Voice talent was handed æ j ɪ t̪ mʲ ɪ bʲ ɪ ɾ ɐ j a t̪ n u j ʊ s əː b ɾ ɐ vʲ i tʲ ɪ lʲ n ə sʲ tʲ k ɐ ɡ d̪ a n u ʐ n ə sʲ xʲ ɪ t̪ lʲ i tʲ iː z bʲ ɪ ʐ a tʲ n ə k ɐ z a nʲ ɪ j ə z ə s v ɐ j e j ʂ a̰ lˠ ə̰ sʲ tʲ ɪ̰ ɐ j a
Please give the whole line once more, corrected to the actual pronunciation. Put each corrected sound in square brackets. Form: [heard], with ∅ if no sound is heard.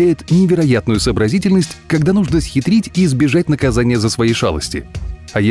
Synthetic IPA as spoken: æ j ɪ t̪ [nʲ] ɪ [vʲ] ɪ ɾ ɐ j a t̪ n [ʊ] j ʊ s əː b ɾ ɐ [zʲ] i tʲ ɪ lʲ n ə sʲ tʲ k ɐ ɡ d̪ a n u ʐ n ə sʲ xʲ ɪ t̪ [ɾʲ] i tʲ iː z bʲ ɪ ʐ a tʲ n ə k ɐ z a nʲ ɪ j ə z ə s v ɐ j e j ʂ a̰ lˠ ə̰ sʲ tʲ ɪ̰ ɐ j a